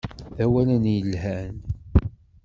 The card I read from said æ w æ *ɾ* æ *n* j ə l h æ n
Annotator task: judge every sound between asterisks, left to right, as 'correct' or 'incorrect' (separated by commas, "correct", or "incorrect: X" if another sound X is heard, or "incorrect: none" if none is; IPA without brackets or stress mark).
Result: incorrect: l, correct